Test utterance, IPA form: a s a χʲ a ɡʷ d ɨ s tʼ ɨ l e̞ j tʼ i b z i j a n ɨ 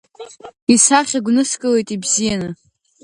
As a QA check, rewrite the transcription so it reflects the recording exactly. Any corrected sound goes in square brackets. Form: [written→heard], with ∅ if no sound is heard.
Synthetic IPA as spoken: [a→i] s a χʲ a ɡʷ [d→n] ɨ s [tʼ→kʼ] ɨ l e̞ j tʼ i b z i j a n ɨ